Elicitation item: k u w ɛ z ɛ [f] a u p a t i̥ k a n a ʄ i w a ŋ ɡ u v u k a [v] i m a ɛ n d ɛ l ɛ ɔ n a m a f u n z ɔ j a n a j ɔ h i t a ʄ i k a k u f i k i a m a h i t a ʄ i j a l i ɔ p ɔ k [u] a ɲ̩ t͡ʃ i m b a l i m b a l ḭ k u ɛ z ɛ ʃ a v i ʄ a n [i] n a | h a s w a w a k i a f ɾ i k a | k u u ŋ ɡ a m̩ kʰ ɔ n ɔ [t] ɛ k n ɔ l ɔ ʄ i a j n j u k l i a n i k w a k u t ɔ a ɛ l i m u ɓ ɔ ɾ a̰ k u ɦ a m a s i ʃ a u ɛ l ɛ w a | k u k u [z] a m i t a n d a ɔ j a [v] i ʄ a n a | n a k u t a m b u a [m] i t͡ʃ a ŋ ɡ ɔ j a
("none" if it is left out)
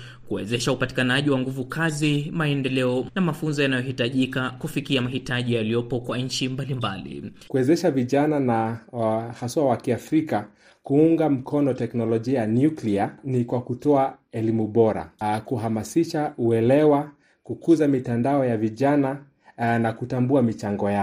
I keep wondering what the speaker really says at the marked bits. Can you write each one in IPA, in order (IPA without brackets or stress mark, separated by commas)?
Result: ʃ, z, w, a, t, z, v, m